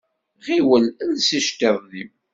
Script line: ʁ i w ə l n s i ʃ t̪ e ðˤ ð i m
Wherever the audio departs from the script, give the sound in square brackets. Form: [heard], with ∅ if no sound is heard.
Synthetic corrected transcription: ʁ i w ə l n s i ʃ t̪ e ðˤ ð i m